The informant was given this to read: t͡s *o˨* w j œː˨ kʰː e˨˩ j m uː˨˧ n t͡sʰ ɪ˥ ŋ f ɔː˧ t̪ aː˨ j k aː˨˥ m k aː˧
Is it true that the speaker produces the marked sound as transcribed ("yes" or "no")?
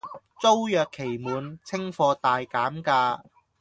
no